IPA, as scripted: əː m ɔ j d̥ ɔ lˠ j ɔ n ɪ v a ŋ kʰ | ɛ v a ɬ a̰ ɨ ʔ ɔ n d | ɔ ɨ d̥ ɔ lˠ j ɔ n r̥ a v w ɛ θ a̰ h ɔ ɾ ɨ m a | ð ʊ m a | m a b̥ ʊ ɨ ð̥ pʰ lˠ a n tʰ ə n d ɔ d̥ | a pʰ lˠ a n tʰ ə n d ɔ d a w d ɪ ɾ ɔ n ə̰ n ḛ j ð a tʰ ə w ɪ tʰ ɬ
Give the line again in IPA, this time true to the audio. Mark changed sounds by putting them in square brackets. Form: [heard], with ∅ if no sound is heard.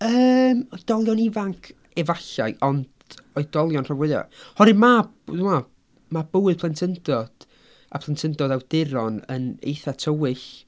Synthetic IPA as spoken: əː m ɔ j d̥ ɔ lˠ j ɔ n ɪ v a ŋ kʰ | ɛ v a ɬ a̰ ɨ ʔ ɔ n d | ɔ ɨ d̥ ɔ lˠ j ɔ n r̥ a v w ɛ [ð] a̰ h ɔ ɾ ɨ m a | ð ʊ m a | m a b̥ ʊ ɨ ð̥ pʰ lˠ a n tʰ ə n d ɔ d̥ | a pʰ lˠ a n tʰ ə n d ɔ d a w d ɪ ɾ ɔ n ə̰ n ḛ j [θ] a tʰ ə w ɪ [∅] ɬ

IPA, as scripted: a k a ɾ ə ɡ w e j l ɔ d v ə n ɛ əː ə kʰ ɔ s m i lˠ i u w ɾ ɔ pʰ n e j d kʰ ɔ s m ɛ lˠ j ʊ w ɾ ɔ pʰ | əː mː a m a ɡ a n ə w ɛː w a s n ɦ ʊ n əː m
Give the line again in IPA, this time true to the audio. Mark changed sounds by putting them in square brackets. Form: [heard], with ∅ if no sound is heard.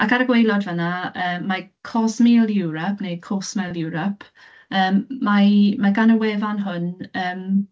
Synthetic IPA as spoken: a k a ɾ ə ɡ w e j l ɔ d v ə n [a] əː [a] kʰ ɔ s m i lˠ [j] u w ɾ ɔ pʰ n e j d kʰ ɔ s m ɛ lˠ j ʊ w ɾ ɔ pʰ | əː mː a m a ɡ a n ə w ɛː [v] a [∅] n ɦ ʊ n əː m

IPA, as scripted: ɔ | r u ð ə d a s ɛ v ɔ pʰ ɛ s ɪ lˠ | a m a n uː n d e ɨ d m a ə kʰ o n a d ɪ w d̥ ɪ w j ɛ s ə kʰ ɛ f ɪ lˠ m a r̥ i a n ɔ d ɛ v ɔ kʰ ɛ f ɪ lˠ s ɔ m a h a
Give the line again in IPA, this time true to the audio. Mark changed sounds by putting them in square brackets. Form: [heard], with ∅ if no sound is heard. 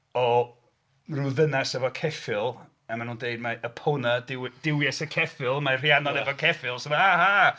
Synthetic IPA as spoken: ɔ | r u ð ə [n] a s ɛ v ɔ [kʰ] ɛ [f] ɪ lˠ | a m a n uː n d e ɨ d m a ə [pʰ] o n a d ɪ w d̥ ɪ w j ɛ s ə kʰ ɛ f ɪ lˠ m a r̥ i a n ɔ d ɛ v ɔ kʰ ɛ f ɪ lˠ s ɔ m a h a

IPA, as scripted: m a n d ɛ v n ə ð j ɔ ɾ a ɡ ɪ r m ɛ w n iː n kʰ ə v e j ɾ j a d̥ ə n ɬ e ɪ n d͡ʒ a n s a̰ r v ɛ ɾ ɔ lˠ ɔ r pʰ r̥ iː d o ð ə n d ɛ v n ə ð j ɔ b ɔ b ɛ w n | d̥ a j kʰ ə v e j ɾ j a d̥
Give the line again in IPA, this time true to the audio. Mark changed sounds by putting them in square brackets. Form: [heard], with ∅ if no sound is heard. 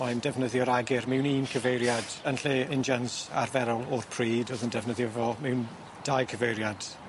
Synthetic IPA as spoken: m a n d ɛ v n ə ð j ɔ ɾ a ɡ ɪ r m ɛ w n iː n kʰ ə v e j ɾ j a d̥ ə n ɬ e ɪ n d͡ʒ a n s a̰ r v ɛ ɾ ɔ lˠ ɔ r pʰ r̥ iː d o ð ə n d ɛ v n ə ð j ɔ [v] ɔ [m] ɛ w n | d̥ a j kʰ ə v e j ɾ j a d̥

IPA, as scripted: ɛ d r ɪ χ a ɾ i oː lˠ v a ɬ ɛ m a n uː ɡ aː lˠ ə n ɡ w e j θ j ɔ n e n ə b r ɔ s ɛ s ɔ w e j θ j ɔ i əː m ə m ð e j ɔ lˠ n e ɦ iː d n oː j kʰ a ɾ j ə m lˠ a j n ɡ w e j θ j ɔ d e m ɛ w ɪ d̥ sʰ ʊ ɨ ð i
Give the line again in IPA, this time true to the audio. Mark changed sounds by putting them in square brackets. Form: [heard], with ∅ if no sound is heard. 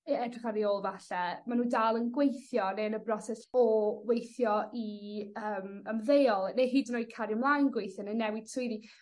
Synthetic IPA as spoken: ɛ d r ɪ χ a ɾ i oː lˠ v a ɬ ɛ m a n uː [d] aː lˠ ə n ɡ w e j θ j ɔ n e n ə b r ɔ s ɛ s ɔ w e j θ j ɔ i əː m ə m ð e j ɔ lˠ n e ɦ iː d n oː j kʰ a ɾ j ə m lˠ a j n ɡ w e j θ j ɔ [n] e [n] ɛ w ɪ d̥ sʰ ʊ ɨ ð i

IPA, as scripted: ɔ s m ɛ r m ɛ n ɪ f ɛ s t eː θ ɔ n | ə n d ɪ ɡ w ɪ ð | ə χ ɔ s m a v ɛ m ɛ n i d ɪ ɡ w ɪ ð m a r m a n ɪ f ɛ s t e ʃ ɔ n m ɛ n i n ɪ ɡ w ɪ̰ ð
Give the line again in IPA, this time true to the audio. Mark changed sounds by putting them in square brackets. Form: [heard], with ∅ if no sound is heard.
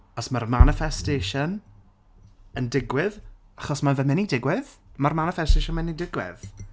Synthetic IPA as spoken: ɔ s m [a] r m [a] n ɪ f ɛ s t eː [ʃ] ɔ n | ə n d ɪ ɡ w ɪ ð | [a] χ ɔ s m a v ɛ m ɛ n i d ɪ ɡ w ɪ ð m a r m a n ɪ f ɛ s t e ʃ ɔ n m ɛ n i [d] ɪ ɡ w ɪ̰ ð

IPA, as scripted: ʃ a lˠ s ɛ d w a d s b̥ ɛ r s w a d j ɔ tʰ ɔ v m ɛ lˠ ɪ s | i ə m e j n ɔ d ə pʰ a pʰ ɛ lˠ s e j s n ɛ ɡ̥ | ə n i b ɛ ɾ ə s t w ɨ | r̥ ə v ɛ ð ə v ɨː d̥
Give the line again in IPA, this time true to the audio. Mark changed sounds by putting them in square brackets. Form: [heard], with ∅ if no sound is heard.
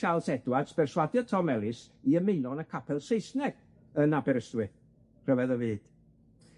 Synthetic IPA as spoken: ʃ a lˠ s ɛ d w a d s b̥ ɛ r s w a d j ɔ tʰ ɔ [∅] m ɛ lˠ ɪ s | i ə m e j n ɔ [n] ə [kʰ] a pʰ ɛ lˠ s e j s n ɛ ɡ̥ | ə n [a] b ɛ ɾ ə s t w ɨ | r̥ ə v ɛ ð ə v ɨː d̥

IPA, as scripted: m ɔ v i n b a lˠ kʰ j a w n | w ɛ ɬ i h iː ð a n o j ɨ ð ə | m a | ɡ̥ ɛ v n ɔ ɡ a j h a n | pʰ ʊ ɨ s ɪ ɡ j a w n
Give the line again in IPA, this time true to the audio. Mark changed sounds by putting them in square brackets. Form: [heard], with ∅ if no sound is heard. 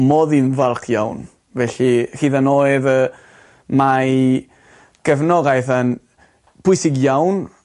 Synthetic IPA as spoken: m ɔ [ð] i n [v] a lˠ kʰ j a w n | [v] ɛ ɬ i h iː ð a n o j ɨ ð ə | m a | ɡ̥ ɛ v n ɔ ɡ a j [θ] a n | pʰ ʊ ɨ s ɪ ɡ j a w n

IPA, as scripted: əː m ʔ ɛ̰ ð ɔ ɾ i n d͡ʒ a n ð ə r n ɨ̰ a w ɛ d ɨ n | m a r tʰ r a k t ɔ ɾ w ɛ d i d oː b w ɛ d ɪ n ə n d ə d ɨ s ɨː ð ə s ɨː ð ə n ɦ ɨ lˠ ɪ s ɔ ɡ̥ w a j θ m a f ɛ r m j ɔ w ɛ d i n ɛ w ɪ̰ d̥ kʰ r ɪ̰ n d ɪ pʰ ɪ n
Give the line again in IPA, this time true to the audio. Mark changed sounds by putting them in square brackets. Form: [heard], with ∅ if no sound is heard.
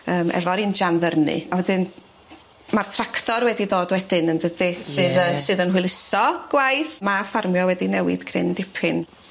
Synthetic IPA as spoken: əː m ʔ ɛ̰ [v] ɔ ɾ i n d͡ʒ a n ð ə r n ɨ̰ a w ɛ d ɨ n | m a r tʰ r a k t ɔ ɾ w ɛ d i d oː [d] w ɛ d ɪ n ə n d ə d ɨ s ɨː ð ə s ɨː ð ə n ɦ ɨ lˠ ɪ s ɔ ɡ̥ w a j θ m a f [a] r m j ɔ w ɛ d i n ɛ w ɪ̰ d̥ kʰ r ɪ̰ n d ɪ pʰ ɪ n

